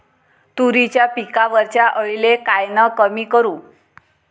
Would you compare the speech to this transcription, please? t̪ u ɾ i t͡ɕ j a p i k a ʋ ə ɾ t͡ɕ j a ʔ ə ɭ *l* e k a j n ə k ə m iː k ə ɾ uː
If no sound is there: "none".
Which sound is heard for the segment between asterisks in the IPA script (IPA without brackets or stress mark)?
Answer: l